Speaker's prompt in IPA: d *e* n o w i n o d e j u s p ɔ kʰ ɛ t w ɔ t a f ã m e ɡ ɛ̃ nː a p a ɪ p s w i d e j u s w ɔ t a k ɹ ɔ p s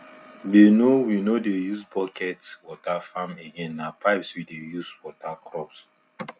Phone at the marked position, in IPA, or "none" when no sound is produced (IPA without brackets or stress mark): e